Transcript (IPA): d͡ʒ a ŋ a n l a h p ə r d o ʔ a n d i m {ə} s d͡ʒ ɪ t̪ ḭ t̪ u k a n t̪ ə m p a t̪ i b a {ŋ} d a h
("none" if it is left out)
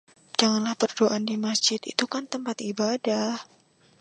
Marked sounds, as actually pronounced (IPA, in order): a, none

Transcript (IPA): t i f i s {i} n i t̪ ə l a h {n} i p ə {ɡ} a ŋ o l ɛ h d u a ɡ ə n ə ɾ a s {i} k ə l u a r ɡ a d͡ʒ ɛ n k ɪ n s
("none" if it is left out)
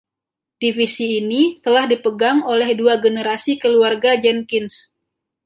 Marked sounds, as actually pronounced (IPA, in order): iː, d, ɡ, i

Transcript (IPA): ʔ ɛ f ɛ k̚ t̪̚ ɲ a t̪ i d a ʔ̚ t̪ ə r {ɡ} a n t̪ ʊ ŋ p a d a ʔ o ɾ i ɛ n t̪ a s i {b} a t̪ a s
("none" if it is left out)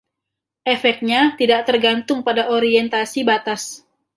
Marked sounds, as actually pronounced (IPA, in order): ɡ, b

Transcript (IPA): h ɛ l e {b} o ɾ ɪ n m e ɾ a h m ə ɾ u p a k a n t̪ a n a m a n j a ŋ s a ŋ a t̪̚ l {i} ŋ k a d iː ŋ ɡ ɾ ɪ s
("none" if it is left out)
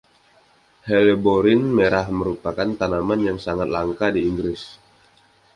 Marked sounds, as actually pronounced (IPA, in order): b, a

